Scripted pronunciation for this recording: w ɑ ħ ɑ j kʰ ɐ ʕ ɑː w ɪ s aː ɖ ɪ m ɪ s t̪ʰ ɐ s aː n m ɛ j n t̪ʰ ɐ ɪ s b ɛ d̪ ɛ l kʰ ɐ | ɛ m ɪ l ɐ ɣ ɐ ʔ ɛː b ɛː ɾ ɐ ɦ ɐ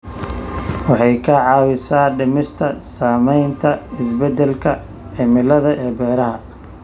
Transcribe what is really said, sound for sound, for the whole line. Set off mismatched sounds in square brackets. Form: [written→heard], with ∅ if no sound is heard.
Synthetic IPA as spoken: w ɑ ħ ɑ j kʰ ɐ ʕ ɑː w ɪ s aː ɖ ɪ m ɪ s t̪ʰ ɐ s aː [n→∅] m ɛ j n t̪ʰ ɐ ɪ s b ɛ d̪ ɛ l kʰ ɐ | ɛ m ɪ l ɐ [ɣ→ð] ɐ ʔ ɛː b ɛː ɾ ɐ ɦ ɐ